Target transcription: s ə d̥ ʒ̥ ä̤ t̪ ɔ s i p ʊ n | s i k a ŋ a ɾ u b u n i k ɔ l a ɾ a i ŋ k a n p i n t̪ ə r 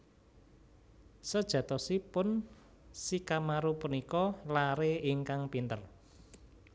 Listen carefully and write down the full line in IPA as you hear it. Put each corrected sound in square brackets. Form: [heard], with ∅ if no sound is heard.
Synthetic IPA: s ə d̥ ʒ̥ ä̤ t̪ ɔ s i p ʊ n | s i k a [m] a ɾ u [p] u n i k ɔ l a ɾ [e] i ŋ k a [ŋ] p i n t̪ ə r

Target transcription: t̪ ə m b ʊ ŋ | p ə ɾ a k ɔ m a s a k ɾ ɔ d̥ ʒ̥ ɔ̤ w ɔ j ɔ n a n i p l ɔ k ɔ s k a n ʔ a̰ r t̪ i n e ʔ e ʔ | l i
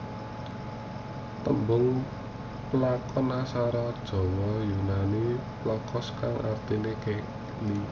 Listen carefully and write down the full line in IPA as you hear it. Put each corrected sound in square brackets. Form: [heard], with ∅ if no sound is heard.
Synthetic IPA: t̪ ə m b ʊ ŋ | p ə [l] a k ɔ [n] a s a [∅] ɾ ɔ d̥ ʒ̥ ɔ̤ w ɔ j [u] n a n i p l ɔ k ɔ s k a [ŋ] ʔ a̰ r t̪ i n e [k] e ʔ | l i

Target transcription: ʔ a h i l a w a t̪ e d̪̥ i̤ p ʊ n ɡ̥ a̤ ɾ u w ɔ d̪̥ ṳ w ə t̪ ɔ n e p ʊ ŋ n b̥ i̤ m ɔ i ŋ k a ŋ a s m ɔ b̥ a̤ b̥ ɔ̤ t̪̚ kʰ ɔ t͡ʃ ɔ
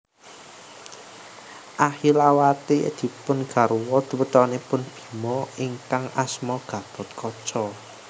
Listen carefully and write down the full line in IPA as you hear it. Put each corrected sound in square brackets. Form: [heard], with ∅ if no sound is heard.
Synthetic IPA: ʔ a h i l a w a t̪ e d̪̥ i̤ p ʊ n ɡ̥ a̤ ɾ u w ɔ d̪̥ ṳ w ə t̪ ɔ n e p ʊ [∅] n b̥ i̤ m ɔ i ŋ k a ŋ a s m ɔ [ɡ̥] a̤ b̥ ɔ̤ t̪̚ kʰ ɔ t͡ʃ ɔ

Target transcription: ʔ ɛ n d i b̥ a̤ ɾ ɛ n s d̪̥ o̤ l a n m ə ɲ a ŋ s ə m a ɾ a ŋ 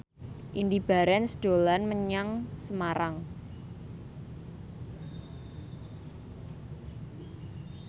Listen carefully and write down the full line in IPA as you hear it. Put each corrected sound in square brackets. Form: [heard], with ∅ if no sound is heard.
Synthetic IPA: ʔ [i] n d i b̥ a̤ ɾ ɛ n s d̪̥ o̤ l a n m ə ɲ a ŋ s ə m a ɾ a ŋ

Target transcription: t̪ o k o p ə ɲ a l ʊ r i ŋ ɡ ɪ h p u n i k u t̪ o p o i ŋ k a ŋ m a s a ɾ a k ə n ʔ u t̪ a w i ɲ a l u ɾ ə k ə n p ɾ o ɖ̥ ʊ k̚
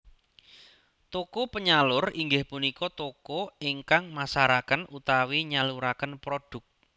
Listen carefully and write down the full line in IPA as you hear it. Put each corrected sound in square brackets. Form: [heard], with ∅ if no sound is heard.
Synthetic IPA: t̪ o k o p ə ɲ a l ʊ r i ŋ ɡ ɪ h p u n i k [ɔ] t̪ o [k] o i ŋ k a ŋ m a s a ɾ a k ə n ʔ u t̪ a w i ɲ a l u ɾ [a] k ə n p ɾ o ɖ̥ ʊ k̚

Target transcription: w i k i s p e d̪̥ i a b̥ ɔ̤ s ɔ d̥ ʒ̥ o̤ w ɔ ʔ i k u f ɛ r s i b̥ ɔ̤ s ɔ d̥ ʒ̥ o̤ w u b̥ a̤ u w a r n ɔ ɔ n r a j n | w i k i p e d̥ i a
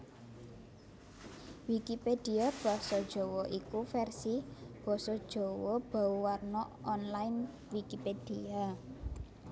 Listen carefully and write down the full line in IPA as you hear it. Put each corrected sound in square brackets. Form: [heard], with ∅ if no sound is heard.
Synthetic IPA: w i k i [∅] p e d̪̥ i a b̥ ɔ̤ s ɔ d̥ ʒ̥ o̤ w ɔ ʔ i k u f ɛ r s i b̥ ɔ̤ s ɔ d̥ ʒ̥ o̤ w [ɔ] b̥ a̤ u w a r n ɔ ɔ n [l] a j n | w i k i p e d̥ i a

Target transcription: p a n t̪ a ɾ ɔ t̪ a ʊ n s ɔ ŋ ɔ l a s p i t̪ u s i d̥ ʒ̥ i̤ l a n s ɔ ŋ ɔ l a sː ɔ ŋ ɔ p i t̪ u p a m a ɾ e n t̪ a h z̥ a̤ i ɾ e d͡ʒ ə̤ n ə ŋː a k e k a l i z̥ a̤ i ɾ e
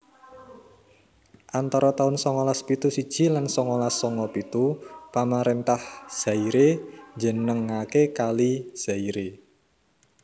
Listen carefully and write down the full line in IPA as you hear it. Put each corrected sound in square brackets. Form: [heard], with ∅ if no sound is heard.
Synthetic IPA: [ʔ] a n t̪ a ɾ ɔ t̪ a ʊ n s ɔ ŋ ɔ l a s p i t̪ u s i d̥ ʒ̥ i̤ l a n s ɔ ŋ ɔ l a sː ɔ ŋ ɔ p i t̪ u p a m a ɾ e n t̪ a h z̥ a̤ i ɾ e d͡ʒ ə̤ n ə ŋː a k e k a l i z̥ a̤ i ɾ e

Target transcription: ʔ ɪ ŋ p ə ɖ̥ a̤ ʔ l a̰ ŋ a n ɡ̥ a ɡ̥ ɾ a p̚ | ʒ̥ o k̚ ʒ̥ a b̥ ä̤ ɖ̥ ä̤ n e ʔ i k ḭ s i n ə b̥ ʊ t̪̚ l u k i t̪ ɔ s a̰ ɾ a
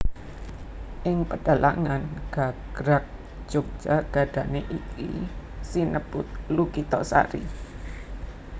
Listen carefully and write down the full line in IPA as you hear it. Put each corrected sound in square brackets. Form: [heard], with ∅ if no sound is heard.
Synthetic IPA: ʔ ɪ ŋ p ə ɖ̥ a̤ [∅] l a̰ ŋ a n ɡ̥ a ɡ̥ ɾ a [k̚] | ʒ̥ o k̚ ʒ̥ a [ɡ̥] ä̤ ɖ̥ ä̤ n e ʔ i k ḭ s i n ə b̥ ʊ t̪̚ l u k i t̪ ɔ s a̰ ɾ [i]

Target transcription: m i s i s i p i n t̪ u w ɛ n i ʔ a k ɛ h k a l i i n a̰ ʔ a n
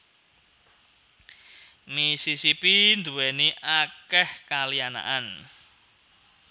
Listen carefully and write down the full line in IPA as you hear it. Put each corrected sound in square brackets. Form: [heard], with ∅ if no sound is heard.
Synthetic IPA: m i s i s i p i n [d̪] u w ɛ n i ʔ a k ɛ h k a l i [a] n a̰ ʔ a n

